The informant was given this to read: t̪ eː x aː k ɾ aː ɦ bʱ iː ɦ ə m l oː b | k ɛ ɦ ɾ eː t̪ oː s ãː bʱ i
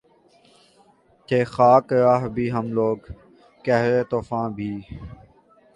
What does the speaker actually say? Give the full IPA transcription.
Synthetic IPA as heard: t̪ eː x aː k ɾ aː ɦ bʱ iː ɦ ə m l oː ɡ | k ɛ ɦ ɾ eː t̪ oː f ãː bʱ iː